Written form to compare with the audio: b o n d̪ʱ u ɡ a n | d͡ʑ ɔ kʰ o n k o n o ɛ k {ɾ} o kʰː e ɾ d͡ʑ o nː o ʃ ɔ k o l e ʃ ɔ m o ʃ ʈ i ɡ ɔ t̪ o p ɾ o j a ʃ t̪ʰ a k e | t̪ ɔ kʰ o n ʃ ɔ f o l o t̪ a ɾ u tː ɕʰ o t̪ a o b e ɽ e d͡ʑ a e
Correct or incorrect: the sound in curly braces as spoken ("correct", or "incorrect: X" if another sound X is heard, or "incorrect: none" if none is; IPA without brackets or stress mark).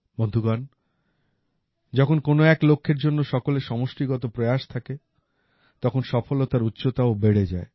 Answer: incorrect: l